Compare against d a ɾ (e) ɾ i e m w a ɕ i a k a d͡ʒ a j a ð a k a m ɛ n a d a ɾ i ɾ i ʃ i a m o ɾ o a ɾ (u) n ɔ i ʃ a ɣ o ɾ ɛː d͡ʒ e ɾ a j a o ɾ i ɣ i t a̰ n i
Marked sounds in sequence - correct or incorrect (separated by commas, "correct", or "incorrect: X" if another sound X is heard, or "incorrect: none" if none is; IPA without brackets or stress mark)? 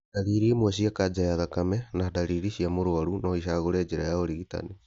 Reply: incorrect: i, correct